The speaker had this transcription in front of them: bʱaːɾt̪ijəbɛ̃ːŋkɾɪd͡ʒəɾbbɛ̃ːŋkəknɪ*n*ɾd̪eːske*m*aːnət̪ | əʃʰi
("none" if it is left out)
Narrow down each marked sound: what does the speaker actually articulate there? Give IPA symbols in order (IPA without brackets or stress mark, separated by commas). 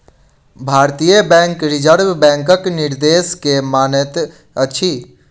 none, m